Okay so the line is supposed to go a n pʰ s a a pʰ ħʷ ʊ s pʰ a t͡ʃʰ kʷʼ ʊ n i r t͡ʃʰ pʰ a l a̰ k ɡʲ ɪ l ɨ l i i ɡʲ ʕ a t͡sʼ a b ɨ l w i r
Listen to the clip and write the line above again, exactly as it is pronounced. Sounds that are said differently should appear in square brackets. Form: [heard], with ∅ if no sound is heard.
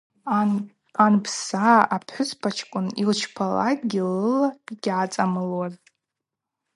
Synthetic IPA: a n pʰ s a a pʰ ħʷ ʊ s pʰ a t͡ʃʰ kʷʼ ʊ n i [l] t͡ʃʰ pʰ a l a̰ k ɡʲ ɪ l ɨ l [a] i ɡʲ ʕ a t͡sʼ a [m] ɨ l w [a] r